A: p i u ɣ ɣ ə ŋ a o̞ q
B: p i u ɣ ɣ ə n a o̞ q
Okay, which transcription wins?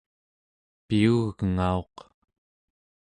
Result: A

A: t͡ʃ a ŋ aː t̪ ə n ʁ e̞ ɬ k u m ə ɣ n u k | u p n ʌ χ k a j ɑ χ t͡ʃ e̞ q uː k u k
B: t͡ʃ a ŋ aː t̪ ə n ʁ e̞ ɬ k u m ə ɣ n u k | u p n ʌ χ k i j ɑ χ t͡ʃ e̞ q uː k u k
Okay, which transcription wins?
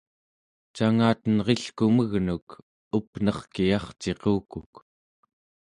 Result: B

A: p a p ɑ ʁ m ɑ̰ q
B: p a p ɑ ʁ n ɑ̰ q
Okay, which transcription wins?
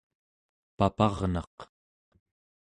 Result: B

